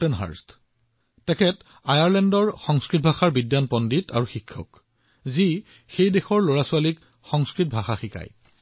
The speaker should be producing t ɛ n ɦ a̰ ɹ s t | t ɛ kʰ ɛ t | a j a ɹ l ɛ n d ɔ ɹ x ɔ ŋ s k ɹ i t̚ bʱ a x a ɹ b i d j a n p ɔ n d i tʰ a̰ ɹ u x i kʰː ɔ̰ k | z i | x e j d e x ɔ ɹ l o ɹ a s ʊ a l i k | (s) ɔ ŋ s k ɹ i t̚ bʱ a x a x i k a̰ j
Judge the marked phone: incorrect: x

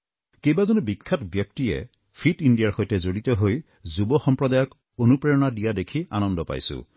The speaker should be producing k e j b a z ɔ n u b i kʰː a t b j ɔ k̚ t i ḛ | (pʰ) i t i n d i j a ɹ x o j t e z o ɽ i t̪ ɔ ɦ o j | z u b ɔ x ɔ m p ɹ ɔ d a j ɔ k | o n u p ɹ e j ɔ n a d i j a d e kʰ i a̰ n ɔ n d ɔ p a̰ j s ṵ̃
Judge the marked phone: correct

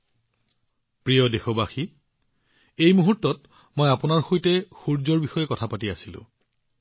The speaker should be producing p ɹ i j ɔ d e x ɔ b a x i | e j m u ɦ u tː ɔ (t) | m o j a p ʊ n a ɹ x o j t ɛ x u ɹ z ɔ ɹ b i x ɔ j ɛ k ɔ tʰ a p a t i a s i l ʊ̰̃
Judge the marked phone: correct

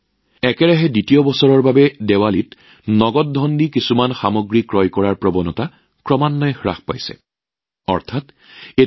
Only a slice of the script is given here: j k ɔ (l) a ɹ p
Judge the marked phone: incorrect: ɹ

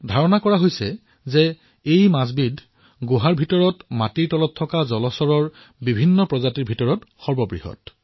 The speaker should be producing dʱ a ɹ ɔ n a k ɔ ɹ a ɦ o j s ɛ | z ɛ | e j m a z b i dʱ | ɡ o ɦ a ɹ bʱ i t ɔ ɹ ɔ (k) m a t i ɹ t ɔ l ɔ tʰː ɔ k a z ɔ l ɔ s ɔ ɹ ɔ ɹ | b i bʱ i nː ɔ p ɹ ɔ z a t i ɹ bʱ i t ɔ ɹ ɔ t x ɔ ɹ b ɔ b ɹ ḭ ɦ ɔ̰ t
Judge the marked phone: incorrect: t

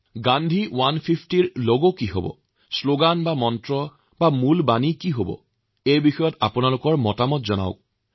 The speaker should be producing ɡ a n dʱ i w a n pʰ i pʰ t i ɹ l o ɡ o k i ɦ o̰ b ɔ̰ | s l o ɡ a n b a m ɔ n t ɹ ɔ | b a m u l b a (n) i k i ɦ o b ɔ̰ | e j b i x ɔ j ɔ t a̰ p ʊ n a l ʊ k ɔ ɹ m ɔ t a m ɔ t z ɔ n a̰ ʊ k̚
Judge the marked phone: correct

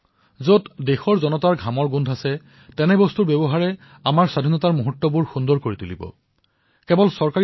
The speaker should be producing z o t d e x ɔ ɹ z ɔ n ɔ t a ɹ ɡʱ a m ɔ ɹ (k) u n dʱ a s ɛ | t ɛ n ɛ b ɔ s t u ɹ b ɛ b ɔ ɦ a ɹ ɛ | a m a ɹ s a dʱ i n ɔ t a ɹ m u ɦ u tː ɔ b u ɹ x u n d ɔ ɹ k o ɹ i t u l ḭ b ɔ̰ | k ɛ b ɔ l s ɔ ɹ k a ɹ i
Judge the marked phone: incorrect: ɡ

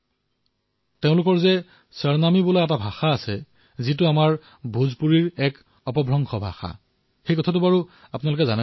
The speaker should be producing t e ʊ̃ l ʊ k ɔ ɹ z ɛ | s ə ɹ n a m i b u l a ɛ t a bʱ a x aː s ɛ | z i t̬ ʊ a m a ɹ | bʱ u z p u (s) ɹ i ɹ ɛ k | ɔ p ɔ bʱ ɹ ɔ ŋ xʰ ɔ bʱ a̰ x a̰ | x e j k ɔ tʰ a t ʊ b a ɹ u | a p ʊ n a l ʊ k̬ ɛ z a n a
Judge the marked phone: incorrect: none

